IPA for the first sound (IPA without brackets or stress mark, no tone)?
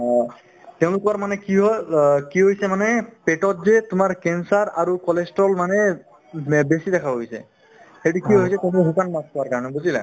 t